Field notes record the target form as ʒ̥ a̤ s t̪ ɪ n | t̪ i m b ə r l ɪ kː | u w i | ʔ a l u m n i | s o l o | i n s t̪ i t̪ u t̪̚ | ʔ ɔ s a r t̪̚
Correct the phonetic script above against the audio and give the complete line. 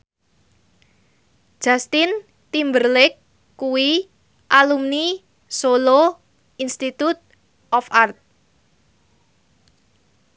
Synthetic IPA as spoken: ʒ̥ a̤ s t̪ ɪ n | t̪ i m b ə r l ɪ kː | u w i | ʔ a l u m n i | s o l o | i n s t̪ i t̪ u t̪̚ | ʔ ɔ f a r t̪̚